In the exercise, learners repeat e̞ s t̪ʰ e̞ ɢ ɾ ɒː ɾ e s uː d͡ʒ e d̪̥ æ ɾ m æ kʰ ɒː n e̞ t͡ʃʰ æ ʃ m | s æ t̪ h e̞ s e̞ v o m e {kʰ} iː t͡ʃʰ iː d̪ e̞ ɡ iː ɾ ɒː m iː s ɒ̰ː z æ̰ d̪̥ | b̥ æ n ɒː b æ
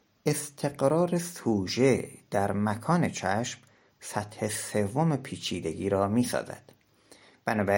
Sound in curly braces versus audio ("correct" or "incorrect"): incorrect